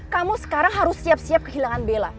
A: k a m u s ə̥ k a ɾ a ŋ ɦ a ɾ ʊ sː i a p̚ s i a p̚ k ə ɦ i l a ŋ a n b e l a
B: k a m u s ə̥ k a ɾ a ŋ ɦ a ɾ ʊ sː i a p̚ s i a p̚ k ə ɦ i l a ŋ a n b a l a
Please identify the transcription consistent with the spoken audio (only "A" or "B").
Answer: A